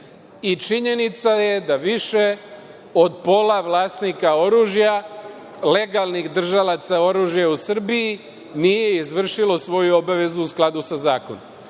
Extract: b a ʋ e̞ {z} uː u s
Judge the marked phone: correct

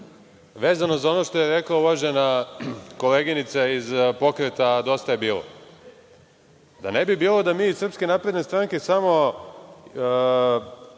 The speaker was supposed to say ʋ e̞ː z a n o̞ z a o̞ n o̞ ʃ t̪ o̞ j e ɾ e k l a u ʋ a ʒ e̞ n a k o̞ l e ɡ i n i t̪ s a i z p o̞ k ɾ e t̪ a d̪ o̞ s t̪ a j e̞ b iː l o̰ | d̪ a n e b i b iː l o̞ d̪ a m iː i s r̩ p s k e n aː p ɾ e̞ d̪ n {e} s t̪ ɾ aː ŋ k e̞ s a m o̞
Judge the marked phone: correct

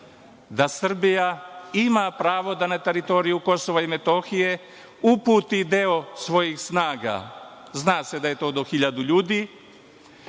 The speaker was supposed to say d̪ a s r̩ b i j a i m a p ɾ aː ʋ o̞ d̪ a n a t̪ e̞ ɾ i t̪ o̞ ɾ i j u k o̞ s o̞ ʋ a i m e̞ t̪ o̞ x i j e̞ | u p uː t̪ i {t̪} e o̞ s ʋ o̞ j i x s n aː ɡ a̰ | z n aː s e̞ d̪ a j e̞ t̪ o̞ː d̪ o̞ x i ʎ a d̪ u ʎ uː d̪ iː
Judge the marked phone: incorrect: d̪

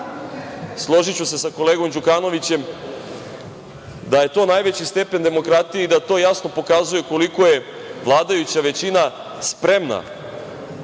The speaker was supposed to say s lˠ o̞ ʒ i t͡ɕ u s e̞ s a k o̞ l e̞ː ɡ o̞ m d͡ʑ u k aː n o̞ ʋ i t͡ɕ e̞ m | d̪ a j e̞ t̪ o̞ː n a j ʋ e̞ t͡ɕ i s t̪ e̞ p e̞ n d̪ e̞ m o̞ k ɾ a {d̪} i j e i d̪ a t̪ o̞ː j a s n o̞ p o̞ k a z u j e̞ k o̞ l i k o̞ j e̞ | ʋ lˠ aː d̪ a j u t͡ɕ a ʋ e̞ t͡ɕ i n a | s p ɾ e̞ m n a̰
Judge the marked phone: incorrect: t̪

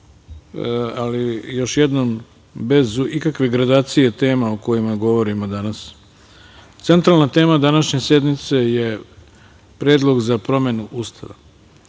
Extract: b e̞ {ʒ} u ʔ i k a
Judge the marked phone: incorrect: z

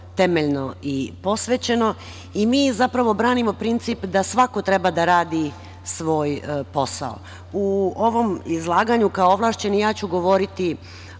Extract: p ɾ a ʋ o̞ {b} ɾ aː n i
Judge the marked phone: correct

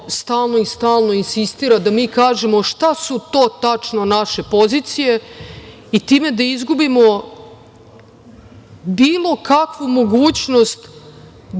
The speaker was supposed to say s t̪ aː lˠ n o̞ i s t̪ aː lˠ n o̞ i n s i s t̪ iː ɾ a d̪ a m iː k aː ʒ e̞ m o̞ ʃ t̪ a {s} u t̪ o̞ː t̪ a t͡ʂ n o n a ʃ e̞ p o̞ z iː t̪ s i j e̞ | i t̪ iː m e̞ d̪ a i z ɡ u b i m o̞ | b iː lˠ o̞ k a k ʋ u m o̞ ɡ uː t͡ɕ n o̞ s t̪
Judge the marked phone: correct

